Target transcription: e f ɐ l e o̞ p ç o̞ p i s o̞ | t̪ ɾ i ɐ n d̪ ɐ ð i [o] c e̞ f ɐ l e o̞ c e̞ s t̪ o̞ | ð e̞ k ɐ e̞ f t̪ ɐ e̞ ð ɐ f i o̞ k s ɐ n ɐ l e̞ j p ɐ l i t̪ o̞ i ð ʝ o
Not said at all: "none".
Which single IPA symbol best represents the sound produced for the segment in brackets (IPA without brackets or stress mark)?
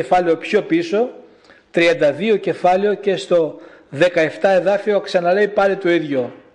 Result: o